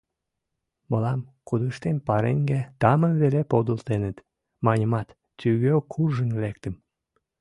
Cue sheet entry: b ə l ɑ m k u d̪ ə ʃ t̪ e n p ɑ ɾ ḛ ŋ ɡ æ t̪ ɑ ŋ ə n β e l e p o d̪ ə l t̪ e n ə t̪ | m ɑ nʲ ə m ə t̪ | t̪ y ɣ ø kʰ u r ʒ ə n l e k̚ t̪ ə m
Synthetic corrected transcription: m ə l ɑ m k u d̪ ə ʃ t̪ e n p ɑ ɾ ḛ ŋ ɡ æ t̪ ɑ m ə n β e l e p o d̪ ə l t̪ e n ə t̪ | m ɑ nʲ ə m ɑ t̪ | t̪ y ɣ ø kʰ u r ʒ ə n l e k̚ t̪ ə m